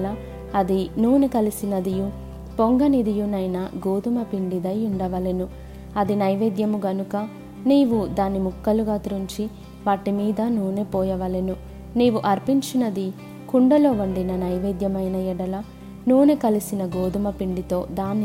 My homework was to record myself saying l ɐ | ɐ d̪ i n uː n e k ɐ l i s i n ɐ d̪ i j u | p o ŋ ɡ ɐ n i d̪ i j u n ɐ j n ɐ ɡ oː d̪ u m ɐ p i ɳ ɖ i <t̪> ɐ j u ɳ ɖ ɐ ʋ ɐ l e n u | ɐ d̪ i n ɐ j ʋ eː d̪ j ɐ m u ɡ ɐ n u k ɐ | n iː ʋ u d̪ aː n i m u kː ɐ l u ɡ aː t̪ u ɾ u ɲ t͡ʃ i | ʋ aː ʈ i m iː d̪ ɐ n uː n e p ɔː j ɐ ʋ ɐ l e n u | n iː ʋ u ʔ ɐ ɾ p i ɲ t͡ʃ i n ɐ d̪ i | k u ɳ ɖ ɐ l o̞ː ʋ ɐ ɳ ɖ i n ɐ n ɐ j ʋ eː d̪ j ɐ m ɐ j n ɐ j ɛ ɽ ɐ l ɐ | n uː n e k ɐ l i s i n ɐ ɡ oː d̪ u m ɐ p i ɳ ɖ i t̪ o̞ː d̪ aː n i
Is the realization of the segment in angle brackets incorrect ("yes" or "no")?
yes